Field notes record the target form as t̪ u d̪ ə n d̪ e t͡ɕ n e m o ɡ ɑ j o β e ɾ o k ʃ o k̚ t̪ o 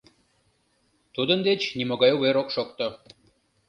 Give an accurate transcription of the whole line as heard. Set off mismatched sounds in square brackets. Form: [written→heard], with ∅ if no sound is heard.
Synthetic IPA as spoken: t̪ u d̪ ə n d̪ e t͡ɕ n [e→i] m o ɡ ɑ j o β e ɾ o k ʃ o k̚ t̪ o